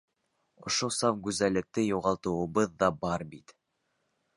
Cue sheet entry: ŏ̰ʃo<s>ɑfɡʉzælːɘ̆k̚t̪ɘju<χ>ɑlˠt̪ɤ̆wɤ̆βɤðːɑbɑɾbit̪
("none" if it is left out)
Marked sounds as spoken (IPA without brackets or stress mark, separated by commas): s, ʁ